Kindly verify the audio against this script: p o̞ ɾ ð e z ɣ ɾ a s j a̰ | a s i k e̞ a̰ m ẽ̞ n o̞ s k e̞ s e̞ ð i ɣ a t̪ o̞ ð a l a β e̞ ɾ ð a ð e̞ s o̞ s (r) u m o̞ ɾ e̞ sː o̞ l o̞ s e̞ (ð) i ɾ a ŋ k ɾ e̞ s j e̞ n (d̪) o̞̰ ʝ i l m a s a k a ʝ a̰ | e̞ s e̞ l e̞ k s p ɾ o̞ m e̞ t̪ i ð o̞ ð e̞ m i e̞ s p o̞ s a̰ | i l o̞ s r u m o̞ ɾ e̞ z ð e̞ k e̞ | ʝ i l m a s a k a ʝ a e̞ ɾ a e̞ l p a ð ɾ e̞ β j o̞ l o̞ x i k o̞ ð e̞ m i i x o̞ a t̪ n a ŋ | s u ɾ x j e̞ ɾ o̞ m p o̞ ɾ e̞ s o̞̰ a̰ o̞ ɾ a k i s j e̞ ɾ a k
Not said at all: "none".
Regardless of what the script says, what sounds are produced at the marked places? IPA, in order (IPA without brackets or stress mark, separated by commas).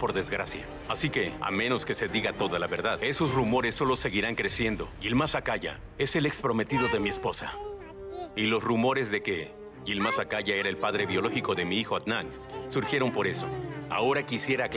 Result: r, ɣ, d̪